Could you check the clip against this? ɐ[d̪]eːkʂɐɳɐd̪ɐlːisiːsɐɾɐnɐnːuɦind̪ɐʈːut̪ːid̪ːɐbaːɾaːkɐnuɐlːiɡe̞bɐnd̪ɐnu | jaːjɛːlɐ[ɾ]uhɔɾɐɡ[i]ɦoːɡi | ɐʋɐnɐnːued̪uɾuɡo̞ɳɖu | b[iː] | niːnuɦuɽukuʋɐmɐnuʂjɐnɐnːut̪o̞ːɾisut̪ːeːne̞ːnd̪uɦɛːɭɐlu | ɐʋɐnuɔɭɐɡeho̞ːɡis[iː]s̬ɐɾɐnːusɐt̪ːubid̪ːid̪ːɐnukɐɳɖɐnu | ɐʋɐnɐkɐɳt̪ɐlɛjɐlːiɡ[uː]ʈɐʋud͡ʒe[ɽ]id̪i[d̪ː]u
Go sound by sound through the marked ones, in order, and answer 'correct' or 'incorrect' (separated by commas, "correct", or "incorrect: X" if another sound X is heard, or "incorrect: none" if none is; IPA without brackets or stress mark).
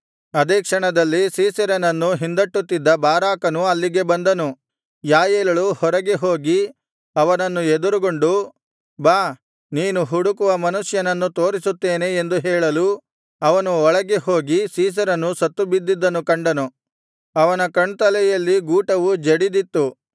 correct, incorrect: ɭ, incorrect: e, incorrect: aː, correct, correct, correct, incorrect: t̪ː